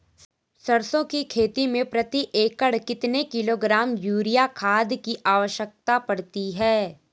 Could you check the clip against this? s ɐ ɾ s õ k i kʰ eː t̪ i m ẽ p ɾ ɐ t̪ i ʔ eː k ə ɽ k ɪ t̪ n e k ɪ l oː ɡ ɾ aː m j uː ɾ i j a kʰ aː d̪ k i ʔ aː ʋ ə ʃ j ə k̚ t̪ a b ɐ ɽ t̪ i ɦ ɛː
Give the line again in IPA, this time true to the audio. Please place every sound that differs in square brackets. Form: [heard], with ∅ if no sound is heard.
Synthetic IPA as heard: s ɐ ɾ s õ k i kʰ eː t̪ i m ẽ p ɾ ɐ t̪ i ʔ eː k ə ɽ k ɪ t̪ n e k ɪ l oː ɡ ɾ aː m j uː ɾ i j a kʰ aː d̪ k i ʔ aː ʋ ə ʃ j ə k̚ t̪ a [p] ɐ ɽ t̪ i ɦ ɛː

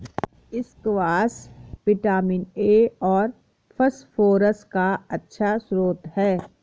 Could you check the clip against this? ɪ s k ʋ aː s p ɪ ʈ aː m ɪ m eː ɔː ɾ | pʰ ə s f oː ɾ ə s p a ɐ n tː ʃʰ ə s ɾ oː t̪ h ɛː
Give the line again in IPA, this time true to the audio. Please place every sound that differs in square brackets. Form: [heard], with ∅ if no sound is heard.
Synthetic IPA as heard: ɪ s k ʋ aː s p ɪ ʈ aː m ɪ [n] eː ɔː ɾ | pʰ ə s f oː ɾ ə s [k] a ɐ [∅] tː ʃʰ [a] s ɾ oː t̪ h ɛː

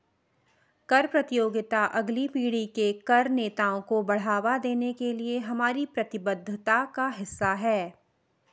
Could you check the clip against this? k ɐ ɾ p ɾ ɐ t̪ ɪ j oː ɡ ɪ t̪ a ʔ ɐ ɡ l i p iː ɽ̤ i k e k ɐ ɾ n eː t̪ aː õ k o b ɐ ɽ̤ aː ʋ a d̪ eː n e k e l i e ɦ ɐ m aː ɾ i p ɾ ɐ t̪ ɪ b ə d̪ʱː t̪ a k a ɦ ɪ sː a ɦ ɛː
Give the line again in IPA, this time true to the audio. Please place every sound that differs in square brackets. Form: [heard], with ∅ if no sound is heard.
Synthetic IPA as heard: k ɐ ɾ p ɾ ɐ t̪ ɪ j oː ɡ ɪ t̪ a ʔ ɐ ɡ l i p iː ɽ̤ i k e k ɐ ɾ n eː t̪ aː õ k o b ɐ ɽ̤ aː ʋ a d̪ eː n e k e l i e ɦ ɐ m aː ɾ i p ɾ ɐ t̪ ɪ b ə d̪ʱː t̪ a k a ɦ ɪ sː a ɦ ɛː

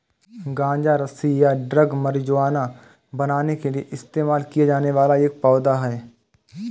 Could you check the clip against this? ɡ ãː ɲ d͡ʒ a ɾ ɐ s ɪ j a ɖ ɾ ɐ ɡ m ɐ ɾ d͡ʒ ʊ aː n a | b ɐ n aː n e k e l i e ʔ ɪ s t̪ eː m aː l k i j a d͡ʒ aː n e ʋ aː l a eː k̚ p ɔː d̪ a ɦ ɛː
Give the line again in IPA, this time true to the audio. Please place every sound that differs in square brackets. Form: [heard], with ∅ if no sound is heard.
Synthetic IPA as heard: ɡ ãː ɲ d͡ʒ a ɾ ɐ s [i] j a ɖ ɾ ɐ ɡ m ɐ ɾ d͡ʒ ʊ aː n a | b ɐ n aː n e k e l i e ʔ ɪ s t̪ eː m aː l k i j a d͡ʒ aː n e ʋ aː l a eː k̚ p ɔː d̪ a ɦ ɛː

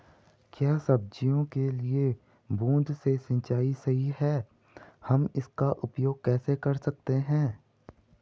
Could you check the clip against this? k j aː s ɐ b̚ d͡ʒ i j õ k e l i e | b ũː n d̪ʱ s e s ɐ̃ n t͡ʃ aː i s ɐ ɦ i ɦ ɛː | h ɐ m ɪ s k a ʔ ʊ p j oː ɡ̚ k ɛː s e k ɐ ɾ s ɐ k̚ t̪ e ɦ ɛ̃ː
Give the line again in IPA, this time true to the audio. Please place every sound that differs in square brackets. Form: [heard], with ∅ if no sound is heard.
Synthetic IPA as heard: k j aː s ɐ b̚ d͡ʒ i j õ k e l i e | b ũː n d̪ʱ s e s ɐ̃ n t͡ʃ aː i s ɐ ɦ i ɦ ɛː | h ɐ m ɪ s k a ʔ ʊ p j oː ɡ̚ k ɛː s e k ɐ ɾ s ɐ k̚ t̪ e ɦ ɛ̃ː

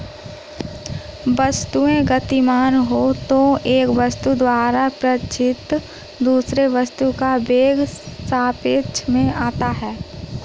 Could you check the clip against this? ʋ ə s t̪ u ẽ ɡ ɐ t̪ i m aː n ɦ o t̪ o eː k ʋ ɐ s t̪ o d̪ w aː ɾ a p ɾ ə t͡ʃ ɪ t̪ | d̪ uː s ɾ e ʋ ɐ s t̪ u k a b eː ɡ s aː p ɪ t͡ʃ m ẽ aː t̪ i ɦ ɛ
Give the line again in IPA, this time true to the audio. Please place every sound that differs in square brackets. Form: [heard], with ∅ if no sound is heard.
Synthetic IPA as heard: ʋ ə s t̪ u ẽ ɡ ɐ t̪ i m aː n ɦ o t̪ o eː k ʋ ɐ s t̪ [u] d̪ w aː ɾ a p ɾ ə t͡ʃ ɪ t̪ | d̪ uː s ɾ e ʋ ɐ s t̪ u k a b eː ɡ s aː p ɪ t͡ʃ m ẽ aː t̪ [a] ɦ [ɛː]

